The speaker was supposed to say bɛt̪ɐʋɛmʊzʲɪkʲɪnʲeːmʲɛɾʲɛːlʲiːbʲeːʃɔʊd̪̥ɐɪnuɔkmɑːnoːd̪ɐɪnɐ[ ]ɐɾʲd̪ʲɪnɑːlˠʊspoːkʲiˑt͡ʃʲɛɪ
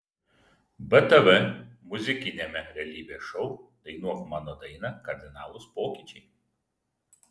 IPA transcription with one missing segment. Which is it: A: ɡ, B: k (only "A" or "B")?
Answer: B